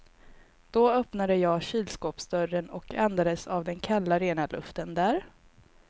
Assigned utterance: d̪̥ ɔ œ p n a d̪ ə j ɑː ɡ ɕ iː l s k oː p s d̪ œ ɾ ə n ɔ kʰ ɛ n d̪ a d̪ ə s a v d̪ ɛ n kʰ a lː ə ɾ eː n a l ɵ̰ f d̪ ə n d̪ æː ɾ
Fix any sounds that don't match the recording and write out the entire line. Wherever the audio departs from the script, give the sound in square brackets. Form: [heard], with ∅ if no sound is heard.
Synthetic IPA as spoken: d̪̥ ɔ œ p n a d̪ ə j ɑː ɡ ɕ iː l s k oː p s d̪ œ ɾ ə n ɔ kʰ ɛ n d̪ a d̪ ə s a v d̪ ɛ n kʰ a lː [a] ɾ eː n a l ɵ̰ f [t̪] ə n d̪ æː ɾ